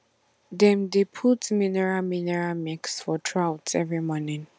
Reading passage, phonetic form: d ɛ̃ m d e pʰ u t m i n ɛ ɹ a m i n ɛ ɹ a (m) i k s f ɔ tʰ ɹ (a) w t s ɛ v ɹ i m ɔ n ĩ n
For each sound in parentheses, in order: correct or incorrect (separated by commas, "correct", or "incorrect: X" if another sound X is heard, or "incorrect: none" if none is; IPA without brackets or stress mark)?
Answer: correct, correct